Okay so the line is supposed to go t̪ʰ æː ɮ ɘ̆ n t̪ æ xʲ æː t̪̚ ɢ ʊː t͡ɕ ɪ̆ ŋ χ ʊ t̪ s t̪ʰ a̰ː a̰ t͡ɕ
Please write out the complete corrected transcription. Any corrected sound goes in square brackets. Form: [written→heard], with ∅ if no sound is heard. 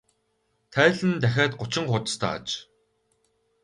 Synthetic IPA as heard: t̪ʰ æː ɮ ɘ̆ n t̪ æ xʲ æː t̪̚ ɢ [ʊː→ʊ] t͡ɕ ɪ̆ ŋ χ ʊ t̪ s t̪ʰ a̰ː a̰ t͡ɕ